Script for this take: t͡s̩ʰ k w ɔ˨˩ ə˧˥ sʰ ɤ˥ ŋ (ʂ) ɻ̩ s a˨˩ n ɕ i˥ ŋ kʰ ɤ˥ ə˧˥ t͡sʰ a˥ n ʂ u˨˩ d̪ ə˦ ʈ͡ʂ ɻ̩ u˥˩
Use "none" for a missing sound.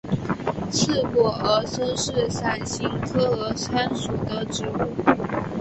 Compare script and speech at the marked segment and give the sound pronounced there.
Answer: ʂ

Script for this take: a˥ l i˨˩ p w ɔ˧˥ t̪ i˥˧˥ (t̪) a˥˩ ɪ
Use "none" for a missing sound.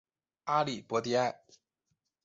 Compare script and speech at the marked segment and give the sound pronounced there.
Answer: none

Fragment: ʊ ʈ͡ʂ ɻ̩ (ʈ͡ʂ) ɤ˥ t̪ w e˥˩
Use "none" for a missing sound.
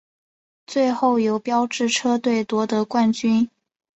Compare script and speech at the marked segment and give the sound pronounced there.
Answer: ʈ͡ʂʰ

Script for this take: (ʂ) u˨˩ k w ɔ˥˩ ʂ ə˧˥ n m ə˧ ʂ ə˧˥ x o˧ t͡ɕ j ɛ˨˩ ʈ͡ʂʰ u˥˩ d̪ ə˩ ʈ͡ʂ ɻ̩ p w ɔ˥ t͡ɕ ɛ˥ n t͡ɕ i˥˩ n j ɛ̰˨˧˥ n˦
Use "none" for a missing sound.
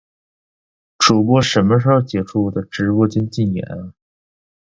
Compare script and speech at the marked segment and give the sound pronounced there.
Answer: ʈ͡ʂ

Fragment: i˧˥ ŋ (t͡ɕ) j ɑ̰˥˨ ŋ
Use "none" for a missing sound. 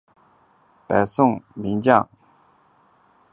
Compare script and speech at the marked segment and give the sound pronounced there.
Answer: t͡ɕ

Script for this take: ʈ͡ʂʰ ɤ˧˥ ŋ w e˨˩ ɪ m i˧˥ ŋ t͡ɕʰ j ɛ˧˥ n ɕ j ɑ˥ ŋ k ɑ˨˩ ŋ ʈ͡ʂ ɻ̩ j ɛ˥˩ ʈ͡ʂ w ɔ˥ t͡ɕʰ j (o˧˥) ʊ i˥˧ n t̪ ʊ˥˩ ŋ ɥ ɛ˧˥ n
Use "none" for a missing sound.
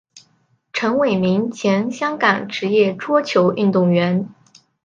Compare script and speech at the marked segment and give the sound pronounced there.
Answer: o˧˥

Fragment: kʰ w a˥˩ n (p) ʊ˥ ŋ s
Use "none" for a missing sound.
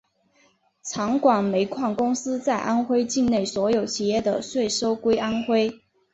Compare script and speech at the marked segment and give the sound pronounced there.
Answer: k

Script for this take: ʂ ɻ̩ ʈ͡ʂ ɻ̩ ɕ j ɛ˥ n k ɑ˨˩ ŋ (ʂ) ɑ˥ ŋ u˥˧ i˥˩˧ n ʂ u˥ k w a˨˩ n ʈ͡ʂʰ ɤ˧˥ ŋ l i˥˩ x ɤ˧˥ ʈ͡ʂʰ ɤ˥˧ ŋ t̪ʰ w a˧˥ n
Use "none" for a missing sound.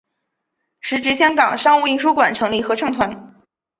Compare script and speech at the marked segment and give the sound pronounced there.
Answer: ʂ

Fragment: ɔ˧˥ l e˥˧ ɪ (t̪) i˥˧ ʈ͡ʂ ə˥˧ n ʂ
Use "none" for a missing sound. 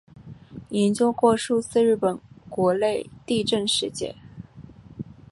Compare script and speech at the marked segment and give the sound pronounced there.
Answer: t̪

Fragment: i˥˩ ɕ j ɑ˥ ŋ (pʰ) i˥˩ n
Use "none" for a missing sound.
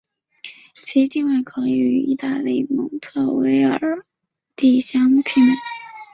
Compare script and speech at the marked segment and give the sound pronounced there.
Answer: pʰ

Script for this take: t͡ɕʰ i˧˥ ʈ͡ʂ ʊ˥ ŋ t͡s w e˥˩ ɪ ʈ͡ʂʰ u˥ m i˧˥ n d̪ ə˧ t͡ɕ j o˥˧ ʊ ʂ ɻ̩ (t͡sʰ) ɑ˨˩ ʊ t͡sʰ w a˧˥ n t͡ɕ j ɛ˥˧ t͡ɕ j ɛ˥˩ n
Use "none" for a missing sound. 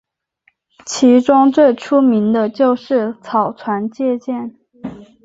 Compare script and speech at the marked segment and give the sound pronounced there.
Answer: t͡sʰ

